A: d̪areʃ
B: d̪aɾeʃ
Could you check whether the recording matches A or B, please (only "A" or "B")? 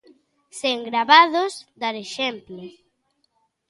B